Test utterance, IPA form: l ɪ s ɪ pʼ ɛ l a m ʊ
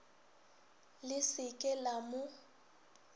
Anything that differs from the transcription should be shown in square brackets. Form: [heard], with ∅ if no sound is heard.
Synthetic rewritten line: l ɪ s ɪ [kʼ] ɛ l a m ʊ

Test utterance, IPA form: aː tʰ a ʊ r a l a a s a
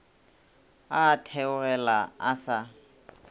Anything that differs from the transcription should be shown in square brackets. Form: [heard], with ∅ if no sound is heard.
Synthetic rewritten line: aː tʰ [ɛ] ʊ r [ɛ] l a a s a

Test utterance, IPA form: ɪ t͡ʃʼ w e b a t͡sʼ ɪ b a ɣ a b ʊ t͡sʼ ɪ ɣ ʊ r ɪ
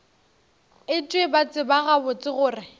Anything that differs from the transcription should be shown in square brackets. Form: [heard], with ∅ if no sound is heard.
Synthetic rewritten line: ɪ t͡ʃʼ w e b a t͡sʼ ɪ b a ɣ a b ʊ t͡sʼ ɪ ɣ [ʊː] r ɪ

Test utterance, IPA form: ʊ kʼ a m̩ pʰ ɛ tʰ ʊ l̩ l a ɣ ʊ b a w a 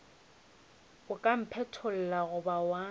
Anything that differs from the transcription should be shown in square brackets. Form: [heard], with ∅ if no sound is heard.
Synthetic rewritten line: ʊ kʼ a m̩ pʰ ɛ tʰ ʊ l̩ l a ɣ ʊ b a w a

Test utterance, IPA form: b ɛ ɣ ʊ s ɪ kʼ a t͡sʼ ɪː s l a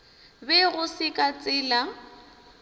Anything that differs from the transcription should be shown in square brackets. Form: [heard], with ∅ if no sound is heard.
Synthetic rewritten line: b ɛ ɣ ʊ s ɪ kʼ a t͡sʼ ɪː [∅] l a

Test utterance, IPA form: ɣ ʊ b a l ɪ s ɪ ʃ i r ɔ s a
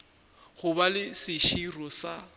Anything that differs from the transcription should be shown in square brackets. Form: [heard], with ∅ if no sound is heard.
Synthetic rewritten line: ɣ ʊ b a l ɪ s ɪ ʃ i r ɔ s a

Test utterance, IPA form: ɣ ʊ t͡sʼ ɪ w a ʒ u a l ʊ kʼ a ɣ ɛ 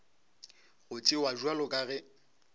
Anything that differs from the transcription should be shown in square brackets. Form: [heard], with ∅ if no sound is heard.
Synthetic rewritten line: ɣ ʊ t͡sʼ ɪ w a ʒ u a l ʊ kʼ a ɣ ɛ

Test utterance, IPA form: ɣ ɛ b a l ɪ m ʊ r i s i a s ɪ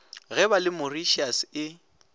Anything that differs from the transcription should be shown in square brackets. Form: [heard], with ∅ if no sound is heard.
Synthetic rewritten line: ɣ ɛ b a l ɪ m ʊ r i [ʃ] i a s ɪ

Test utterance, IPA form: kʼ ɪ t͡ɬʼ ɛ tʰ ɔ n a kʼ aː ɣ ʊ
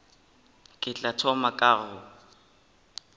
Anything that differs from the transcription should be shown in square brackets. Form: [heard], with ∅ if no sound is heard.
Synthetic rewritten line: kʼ ɪ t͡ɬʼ [a] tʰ ɔ [m] a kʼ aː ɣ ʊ

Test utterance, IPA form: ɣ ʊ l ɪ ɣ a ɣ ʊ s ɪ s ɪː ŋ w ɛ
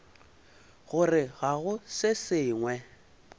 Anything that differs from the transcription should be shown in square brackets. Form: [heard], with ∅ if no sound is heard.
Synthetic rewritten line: ɣ ʊ [r] ɪ ɣ a ɣ ʊ s ɪ s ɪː ŋ w ɛ

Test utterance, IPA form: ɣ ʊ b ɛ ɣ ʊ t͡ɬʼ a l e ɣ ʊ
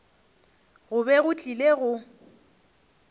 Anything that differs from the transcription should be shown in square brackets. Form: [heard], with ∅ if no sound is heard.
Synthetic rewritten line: ɣ ʊ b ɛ ɣ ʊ t͡ɬʼ [i] l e ɣ ʊ

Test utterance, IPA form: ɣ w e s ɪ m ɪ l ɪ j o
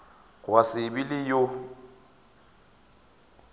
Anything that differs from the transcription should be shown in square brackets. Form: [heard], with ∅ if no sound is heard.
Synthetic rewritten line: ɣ w [a] s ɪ [b] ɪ l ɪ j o

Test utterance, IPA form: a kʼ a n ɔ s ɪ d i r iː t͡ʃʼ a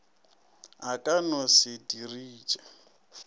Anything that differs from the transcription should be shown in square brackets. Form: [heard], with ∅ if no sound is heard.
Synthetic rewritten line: a kʼ a n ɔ s ɪ d i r iː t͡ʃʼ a

